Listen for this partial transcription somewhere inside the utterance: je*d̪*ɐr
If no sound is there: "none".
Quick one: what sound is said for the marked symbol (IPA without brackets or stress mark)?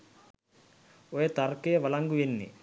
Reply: t̪